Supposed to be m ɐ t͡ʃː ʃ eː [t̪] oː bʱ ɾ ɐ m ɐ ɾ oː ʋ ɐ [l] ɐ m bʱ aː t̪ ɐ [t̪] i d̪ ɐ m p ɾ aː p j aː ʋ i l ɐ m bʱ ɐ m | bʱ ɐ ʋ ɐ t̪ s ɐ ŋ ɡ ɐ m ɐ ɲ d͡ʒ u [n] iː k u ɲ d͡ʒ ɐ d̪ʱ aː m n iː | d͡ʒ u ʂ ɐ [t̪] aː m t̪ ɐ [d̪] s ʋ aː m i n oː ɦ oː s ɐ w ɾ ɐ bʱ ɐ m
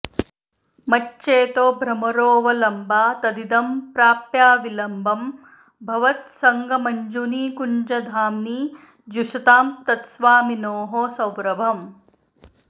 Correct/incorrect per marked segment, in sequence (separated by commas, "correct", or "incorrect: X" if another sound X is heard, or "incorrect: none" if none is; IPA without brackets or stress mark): correct, correct, incorrect: d̪, correct, correct, incorrect: t̪